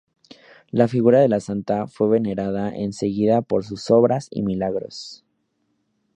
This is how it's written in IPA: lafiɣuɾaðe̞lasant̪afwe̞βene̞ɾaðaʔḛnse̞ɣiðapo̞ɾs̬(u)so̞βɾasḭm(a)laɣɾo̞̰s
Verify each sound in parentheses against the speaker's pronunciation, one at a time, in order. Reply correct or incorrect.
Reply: correct, incorrect

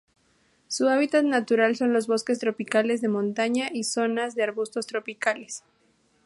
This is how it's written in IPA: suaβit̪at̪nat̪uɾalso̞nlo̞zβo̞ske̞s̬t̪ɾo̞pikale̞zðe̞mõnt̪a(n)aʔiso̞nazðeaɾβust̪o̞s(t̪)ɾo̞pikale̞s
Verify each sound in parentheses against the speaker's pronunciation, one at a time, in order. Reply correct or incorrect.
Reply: incorrect, correct

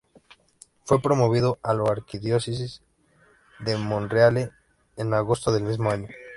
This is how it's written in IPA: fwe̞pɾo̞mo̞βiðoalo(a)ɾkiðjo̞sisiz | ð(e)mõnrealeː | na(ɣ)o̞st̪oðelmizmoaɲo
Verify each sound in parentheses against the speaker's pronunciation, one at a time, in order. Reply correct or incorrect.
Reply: correct, correct, correct

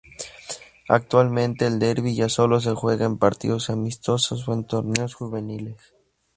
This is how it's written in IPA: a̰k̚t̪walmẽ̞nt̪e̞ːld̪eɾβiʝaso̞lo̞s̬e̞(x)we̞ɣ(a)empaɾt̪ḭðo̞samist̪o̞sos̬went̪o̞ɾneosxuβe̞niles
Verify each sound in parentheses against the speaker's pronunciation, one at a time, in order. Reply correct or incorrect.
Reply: correct, correct

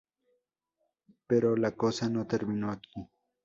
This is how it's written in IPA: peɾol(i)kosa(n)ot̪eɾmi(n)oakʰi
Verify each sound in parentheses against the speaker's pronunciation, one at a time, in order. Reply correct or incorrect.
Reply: incorrect, correct, correct

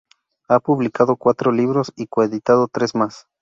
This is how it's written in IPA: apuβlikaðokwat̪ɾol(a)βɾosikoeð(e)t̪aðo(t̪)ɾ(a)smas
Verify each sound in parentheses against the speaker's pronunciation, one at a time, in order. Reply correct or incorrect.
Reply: incorrect, incorrect, correct, incorrect

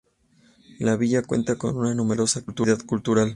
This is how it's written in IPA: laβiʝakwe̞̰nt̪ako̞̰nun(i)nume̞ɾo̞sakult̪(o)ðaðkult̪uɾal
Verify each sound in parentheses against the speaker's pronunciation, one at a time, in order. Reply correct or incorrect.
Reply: incorrect, incorrect

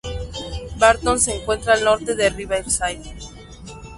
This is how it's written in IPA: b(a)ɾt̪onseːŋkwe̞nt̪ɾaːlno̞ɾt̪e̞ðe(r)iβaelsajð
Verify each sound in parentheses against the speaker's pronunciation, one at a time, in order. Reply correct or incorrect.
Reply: correct, correct

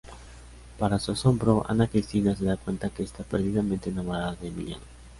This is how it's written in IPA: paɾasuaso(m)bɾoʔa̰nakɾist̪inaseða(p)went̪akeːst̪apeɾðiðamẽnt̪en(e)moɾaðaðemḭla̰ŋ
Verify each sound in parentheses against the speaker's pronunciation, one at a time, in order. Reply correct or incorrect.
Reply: correct, incorrect, incorrect

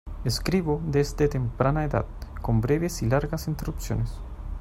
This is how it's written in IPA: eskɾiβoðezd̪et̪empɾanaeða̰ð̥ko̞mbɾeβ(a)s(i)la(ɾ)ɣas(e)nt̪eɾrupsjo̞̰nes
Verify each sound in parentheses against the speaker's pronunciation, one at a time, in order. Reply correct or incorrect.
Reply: incorrect, correct, correct, incorrect

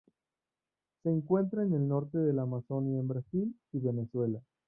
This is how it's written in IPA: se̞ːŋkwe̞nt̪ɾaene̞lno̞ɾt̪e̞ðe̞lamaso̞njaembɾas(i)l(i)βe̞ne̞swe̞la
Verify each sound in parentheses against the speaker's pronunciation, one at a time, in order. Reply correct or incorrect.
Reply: correct, correct

